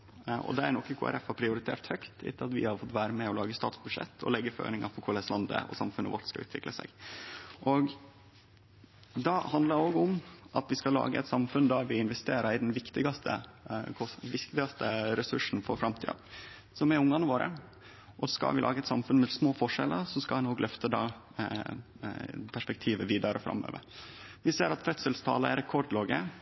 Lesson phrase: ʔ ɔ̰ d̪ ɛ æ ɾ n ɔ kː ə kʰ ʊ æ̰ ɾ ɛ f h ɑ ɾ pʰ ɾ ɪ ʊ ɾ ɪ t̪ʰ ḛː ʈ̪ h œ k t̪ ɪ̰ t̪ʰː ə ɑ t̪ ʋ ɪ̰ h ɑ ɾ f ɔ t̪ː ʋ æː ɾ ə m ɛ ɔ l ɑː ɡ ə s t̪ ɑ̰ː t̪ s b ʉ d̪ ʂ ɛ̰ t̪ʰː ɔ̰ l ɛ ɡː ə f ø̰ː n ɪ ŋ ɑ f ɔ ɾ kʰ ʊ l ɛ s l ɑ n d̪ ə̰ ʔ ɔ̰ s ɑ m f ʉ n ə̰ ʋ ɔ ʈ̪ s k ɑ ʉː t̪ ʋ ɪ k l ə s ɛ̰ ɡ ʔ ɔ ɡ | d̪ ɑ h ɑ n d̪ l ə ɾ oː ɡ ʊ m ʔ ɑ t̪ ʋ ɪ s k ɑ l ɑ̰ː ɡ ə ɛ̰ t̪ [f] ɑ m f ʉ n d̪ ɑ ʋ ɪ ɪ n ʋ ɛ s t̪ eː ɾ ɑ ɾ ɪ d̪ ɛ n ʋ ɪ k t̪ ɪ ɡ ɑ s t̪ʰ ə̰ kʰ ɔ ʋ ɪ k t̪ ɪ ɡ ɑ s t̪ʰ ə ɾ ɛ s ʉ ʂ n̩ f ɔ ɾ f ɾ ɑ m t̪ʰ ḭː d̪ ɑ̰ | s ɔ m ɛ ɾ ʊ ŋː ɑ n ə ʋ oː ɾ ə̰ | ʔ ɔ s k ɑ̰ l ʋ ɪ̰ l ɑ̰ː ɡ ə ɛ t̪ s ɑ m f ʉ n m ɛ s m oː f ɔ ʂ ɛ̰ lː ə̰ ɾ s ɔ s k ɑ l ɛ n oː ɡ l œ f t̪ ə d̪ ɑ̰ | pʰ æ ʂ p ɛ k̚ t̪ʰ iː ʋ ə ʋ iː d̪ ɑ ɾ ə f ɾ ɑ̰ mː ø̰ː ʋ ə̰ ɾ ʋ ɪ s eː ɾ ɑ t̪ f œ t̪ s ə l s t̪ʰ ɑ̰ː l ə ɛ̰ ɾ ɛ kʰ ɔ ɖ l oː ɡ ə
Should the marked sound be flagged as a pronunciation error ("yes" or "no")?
yes